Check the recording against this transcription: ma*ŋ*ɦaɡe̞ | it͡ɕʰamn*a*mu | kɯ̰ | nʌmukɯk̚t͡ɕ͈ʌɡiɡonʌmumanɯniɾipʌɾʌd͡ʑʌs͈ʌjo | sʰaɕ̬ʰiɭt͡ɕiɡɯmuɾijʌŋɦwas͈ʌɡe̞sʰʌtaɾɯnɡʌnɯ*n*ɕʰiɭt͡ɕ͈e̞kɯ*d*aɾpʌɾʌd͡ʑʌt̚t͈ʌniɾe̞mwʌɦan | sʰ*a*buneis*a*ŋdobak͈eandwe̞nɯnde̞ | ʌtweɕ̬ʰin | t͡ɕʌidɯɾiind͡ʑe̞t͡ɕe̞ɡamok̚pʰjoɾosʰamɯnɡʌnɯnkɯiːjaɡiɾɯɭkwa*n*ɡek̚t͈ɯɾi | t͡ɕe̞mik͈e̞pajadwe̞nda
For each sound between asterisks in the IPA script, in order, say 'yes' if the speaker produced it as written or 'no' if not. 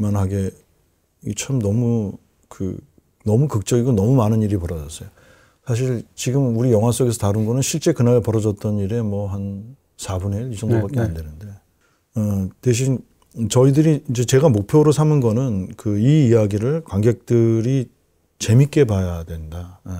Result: no, no, yes, no, yes, no, no

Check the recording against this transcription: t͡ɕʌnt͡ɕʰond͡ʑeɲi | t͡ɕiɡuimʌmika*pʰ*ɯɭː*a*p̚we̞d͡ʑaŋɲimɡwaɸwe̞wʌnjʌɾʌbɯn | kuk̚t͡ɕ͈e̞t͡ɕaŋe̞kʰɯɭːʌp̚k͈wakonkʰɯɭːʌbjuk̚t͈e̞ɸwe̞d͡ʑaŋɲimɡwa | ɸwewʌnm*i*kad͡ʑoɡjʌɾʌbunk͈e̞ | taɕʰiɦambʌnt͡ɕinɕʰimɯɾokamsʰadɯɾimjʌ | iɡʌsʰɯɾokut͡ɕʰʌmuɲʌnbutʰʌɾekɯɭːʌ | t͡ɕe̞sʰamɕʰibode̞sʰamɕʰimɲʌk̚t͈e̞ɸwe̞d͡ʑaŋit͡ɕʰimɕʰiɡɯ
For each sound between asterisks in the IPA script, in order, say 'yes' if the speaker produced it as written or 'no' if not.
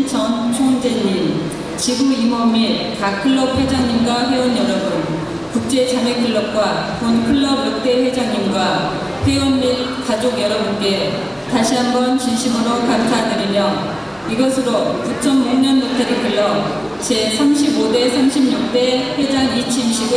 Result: no, no, yes

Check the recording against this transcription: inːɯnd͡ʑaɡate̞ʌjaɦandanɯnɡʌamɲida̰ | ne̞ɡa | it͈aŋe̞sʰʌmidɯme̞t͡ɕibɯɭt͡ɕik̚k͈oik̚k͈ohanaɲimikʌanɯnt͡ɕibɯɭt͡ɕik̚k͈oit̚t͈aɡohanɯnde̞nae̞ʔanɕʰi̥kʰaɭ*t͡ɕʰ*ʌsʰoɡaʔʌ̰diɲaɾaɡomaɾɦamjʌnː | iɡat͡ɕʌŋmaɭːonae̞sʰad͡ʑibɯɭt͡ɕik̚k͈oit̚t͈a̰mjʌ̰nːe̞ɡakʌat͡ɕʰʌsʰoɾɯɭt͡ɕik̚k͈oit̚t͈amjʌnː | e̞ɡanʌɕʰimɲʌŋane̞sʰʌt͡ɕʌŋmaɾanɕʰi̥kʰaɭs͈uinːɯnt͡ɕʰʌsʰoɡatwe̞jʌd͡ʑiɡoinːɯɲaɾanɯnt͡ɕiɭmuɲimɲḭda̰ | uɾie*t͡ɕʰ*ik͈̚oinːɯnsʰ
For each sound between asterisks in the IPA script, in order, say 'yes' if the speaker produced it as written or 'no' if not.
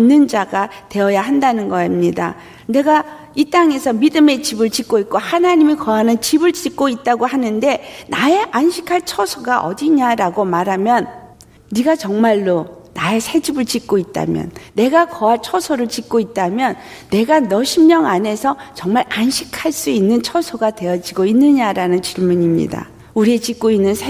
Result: yes, no

